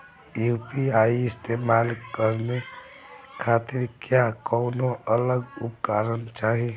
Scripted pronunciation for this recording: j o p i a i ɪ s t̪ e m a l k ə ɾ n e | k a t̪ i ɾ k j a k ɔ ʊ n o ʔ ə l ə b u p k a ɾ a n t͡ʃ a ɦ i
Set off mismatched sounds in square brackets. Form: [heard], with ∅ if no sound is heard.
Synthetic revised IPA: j [u] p i a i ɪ s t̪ e m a l k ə ɾ n e | [kʰ] a t̪ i ɾ k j a k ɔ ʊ n o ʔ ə l ə [ɡ] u p k a ɾ [ə] n t͡ʃ a ɦ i